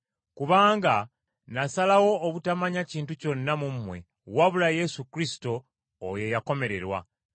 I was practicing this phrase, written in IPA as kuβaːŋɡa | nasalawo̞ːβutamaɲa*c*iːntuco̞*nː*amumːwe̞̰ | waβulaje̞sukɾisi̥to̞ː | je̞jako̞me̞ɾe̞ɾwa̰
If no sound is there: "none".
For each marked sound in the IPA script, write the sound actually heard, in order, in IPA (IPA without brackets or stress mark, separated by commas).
c, nː